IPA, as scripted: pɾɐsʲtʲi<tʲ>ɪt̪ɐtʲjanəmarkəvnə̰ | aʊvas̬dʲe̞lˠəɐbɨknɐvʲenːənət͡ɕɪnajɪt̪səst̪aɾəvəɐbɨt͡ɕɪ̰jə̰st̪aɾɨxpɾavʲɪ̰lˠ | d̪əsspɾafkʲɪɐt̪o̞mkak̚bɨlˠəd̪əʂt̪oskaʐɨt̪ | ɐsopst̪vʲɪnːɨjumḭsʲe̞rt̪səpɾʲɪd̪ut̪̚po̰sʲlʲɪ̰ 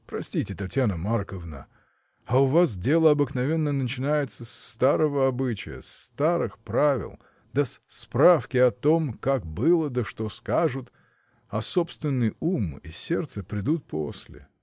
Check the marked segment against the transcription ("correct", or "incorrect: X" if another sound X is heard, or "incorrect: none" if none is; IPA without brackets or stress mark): correct